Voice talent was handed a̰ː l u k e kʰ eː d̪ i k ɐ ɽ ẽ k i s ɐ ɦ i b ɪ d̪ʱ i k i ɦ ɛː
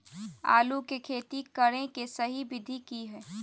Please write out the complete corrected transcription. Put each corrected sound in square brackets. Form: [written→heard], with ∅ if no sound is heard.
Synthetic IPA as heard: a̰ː l u k e kʰ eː [d̪→t̪] i k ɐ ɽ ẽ k [i→e] s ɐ ɦ i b ɪ d̪ʱ i k i ɦ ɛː